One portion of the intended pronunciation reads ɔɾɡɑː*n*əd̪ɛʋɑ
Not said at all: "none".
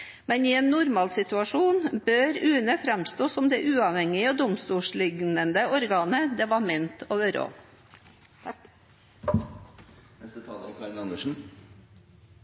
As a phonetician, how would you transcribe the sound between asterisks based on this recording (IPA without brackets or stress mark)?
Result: n